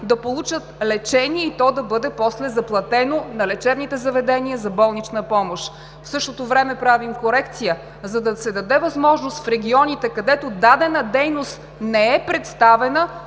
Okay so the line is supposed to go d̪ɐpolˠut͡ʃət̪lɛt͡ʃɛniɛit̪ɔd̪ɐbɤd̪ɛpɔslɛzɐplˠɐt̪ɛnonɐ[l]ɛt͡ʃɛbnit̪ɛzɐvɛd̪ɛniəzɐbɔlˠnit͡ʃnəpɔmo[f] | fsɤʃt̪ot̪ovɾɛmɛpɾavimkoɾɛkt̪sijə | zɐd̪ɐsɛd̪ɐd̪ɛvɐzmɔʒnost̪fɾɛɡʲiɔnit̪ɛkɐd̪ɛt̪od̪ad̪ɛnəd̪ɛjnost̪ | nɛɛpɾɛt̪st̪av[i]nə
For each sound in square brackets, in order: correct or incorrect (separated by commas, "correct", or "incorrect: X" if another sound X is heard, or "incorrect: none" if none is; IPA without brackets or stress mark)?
correct, incorrect: ʃ, incorrect: ɛ